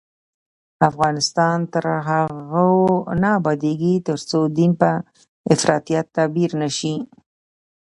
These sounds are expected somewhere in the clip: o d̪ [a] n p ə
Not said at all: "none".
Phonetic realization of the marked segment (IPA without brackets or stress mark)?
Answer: i